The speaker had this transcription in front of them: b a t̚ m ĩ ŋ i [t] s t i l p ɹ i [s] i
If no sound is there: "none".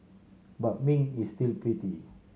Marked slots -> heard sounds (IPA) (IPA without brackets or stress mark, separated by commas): none, t